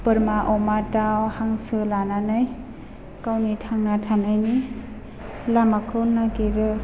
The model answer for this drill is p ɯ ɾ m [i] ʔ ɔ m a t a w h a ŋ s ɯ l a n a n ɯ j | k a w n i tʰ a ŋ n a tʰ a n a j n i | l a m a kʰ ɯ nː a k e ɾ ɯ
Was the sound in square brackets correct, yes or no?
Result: no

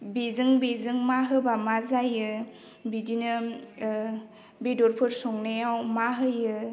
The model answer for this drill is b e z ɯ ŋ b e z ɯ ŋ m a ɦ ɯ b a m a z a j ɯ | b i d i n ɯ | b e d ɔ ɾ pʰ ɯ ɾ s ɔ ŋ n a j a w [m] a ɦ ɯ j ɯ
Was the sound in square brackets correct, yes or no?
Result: yes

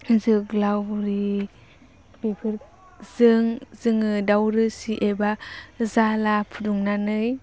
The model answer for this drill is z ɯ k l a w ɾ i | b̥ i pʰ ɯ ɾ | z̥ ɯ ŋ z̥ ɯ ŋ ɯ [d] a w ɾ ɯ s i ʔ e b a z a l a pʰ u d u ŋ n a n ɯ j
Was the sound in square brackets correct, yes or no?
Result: yes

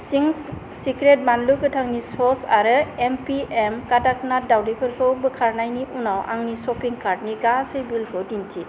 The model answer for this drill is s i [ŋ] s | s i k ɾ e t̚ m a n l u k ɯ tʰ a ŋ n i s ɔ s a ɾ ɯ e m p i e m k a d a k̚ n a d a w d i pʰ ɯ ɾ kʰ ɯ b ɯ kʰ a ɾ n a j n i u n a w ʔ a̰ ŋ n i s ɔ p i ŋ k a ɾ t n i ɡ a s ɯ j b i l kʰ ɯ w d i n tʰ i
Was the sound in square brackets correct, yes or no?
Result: yes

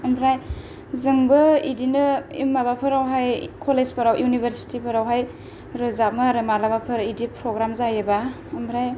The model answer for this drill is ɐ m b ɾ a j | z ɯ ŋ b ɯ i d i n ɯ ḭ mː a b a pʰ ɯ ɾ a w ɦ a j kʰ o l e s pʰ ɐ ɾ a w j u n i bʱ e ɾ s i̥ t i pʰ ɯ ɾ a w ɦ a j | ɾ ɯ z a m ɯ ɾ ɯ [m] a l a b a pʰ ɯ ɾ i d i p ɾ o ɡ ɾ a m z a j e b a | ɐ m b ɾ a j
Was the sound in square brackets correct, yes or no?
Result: yes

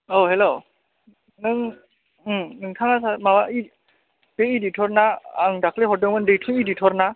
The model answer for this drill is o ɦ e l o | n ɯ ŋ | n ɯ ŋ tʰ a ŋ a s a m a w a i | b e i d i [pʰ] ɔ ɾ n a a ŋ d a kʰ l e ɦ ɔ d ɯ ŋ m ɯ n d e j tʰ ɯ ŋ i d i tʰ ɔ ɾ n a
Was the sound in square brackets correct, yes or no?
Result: no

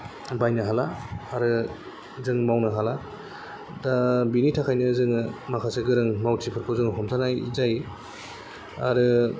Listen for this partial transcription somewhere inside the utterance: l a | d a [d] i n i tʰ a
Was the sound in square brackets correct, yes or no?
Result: no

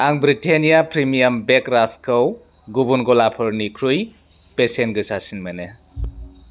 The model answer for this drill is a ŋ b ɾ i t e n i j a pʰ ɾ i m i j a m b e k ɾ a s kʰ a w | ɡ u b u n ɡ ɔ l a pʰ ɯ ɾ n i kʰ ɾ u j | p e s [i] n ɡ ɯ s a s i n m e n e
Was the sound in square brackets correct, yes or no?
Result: no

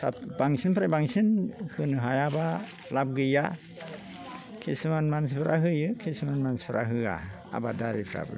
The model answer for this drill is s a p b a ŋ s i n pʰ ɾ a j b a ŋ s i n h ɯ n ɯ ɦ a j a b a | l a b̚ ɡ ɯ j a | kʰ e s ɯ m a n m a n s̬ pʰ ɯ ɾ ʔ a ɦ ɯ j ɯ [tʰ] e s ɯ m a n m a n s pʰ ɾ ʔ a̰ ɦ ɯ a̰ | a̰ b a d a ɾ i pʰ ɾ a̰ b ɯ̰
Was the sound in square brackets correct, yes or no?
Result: no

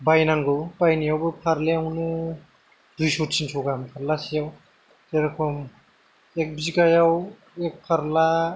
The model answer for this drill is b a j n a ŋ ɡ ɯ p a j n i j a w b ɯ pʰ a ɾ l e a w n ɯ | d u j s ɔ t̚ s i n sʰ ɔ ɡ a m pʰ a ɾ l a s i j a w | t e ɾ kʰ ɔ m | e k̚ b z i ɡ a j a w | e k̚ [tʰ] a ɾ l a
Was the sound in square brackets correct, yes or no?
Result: no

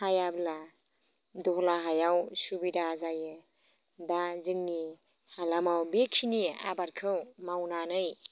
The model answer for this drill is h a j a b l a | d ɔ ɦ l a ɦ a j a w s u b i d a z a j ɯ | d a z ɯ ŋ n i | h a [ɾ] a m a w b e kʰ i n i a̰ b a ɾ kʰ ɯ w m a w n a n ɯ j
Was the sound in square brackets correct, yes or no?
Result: no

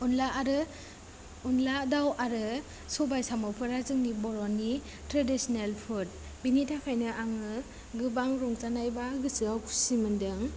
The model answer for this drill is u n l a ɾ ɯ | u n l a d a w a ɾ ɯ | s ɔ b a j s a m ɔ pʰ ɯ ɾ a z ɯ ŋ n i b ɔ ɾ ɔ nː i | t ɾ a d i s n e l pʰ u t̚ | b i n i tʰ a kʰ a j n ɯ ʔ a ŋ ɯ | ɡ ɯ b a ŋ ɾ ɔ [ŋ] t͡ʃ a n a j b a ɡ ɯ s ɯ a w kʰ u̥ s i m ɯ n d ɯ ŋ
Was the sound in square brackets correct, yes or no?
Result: yes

